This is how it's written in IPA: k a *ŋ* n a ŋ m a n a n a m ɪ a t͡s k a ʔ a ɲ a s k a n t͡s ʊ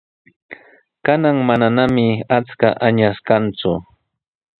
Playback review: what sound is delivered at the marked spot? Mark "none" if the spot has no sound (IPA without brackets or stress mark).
none